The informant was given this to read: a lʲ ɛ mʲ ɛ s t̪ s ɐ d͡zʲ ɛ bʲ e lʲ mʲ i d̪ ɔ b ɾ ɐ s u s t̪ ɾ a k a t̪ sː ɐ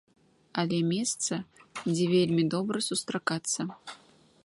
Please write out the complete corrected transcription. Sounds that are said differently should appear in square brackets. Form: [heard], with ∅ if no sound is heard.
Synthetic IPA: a lʲ ɛ mʲ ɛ s t̪ s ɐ d͡zʲ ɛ [vʲ] e lʲ mʲ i d̪ ɔ b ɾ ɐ s u s t̪ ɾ a k a t̪ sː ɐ